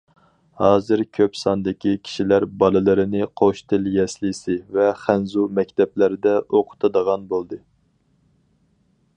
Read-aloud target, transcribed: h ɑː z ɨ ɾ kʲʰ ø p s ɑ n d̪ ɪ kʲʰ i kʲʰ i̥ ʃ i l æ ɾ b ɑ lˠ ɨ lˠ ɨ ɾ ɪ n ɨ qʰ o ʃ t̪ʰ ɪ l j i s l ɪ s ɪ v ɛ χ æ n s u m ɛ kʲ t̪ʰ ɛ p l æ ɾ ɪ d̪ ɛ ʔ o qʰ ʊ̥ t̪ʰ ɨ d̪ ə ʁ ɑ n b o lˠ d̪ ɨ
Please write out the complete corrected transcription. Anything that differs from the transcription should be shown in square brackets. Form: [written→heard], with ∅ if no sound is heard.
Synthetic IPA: h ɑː z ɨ ɾ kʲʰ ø p s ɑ n d̪ ɪ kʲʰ i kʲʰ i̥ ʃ i l æ ɾ b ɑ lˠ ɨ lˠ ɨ ɾ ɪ n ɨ qʰ o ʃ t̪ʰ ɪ l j [i→ɛ] s l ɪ s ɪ v ɛ χ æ n [s→z] u m ɛ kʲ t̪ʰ ɛ p l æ ɾ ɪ d̪ ɛ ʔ o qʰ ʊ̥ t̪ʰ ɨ d̪ ə ʁ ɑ n b o lˠ d̪ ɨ